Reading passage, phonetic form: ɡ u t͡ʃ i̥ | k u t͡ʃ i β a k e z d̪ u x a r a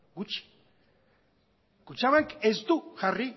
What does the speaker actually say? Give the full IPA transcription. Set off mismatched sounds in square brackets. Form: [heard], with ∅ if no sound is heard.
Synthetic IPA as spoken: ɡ u t͡ʃ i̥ | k u t͡ʃ [a] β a k e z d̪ u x a r [i]